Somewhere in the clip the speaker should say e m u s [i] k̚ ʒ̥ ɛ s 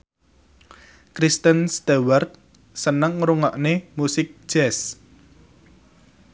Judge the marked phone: incorrect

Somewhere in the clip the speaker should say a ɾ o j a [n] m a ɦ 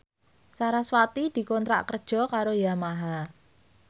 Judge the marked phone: incorrect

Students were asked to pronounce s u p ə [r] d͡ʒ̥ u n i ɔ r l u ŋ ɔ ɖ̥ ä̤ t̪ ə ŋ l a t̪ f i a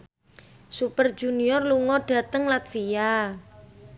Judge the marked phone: correct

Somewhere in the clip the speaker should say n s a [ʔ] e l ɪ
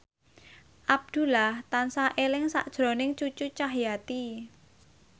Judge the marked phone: correct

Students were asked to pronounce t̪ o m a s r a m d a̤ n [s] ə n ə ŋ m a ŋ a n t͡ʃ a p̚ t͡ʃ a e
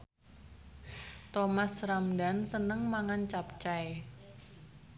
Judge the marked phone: correct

